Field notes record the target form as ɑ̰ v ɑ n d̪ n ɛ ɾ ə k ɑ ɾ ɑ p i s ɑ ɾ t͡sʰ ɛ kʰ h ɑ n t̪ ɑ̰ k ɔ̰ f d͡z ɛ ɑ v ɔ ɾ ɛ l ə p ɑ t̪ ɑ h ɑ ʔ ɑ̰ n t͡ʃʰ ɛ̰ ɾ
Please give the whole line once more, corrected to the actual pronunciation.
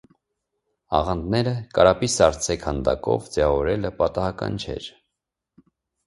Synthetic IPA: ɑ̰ ʁ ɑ n d̪ n ɛ ɾ ə k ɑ ɾ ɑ p i s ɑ ɾ t͡sʰ ɛ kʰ h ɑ n d̪ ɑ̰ k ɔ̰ v d͡z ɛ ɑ v ɔ ɾ ɛ l ə p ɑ t̪ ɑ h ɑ k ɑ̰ n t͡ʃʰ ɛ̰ ɾ